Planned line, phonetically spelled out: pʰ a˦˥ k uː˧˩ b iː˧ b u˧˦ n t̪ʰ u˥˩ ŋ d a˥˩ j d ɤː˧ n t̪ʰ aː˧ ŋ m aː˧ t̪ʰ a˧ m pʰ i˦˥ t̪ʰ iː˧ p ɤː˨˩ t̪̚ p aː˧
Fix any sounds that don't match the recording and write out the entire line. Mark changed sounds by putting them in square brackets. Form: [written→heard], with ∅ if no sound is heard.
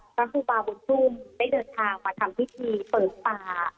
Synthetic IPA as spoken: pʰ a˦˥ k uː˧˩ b [iː˧→aː˧] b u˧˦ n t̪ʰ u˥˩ [ŋ→m] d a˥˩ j d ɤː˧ n t̪ʰ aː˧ ŋ m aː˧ t̪ʰ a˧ m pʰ i˦˥ t̪ʰ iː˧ p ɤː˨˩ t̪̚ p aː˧